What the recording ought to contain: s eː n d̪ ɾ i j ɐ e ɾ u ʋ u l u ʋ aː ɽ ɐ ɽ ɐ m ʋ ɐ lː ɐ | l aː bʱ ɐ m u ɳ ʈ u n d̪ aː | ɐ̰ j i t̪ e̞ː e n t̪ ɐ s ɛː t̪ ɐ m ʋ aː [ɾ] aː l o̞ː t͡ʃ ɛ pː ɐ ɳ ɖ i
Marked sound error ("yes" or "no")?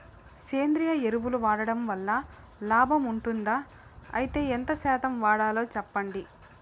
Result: yes